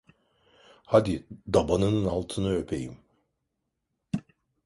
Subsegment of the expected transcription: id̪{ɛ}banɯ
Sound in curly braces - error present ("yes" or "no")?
yes